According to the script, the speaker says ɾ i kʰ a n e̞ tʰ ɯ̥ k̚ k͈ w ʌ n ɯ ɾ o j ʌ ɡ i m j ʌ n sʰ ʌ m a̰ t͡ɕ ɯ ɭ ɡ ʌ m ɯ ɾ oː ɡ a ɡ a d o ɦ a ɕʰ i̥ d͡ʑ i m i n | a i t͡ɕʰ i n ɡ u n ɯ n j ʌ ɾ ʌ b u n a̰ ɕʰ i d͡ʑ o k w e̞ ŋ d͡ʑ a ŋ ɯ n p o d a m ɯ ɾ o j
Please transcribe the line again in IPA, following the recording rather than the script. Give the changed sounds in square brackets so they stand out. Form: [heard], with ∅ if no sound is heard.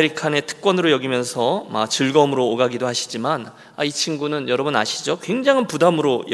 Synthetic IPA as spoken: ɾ i kʰ a n e̞ tʰ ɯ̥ k̚ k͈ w ʌ n ɯ ɾ o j ʌ ɡ i m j ʌ n sʰ ʌ m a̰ t͡ɕ ɯ ɭ ɡ ʌ m ɯ ɾ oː ɡ a ɡ [i] d o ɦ a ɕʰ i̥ d͡ʑ i m [a] n | a i t͡ɕʰ i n ɡ u n ɯ n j ʌ ɾ ʌ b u n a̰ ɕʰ i d͡ʑ o k w e̞ ŋ d͡ʑ a ŋ ɯ n p [u] d a m ɯ ɾ o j